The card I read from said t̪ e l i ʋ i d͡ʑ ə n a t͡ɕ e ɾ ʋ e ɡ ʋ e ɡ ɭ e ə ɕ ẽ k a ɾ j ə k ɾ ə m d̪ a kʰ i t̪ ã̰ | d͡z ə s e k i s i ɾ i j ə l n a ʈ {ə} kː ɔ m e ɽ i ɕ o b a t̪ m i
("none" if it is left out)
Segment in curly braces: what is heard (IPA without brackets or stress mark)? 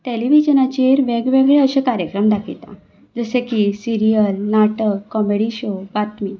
ə